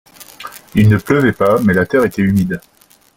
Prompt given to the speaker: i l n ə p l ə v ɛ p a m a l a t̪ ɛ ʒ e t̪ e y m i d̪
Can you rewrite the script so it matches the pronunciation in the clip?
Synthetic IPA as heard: i l n ə p l ə v ɛ p a m ɛ l a t̪ ɛ ʁ e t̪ ɛ y m i d̪